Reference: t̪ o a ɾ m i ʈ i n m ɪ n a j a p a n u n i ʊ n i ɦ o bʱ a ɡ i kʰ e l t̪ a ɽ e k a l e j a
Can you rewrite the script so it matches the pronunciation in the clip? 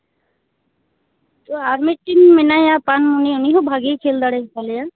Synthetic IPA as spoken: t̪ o a ɾ m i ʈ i n m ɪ n a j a p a n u n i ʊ n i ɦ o bʱ a ɡ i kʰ e l d̪ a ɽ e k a l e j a